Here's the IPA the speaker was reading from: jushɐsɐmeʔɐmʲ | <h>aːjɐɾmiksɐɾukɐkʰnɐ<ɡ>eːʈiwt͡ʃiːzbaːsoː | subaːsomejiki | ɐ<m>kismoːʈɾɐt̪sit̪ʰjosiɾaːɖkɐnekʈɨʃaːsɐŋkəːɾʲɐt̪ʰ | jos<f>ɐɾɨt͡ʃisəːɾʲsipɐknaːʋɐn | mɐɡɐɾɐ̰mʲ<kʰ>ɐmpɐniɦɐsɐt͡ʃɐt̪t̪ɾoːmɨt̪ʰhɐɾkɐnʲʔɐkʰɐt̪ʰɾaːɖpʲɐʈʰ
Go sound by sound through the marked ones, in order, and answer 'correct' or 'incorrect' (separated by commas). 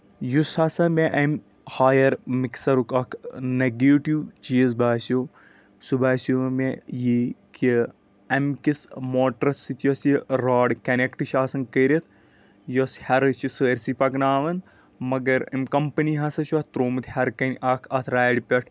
correct, correct, correct, incorrect, incorrect